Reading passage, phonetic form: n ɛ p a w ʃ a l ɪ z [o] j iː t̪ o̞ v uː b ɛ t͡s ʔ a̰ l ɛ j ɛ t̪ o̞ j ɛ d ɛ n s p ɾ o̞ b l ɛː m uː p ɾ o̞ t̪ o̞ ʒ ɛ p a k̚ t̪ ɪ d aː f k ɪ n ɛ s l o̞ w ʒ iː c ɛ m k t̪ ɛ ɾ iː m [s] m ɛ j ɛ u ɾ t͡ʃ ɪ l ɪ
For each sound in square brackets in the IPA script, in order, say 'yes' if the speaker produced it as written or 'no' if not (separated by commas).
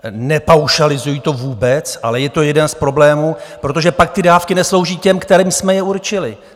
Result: no, yes